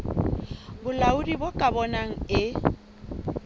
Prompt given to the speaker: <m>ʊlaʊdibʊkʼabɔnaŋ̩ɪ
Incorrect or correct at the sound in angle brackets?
incorrect: b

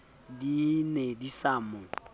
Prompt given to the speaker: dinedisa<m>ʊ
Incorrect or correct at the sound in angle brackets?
correct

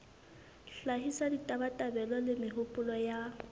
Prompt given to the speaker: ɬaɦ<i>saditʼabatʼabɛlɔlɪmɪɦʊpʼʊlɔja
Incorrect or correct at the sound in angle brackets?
correct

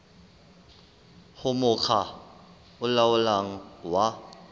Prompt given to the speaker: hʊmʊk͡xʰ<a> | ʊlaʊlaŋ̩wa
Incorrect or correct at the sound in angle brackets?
correct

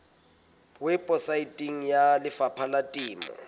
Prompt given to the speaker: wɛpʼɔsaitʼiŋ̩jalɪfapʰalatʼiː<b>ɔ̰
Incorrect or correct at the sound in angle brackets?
incorrect: m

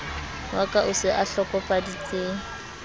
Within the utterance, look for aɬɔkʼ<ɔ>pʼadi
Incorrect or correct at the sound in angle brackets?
correct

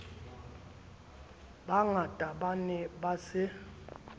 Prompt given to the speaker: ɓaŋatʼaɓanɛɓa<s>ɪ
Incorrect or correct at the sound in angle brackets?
correct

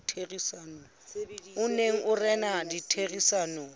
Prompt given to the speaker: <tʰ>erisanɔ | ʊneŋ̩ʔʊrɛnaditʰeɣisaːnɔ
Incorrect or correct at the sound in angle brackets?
correct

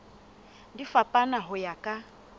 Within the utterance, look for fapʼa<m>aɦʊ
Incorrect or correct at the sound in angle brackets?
incorrect: n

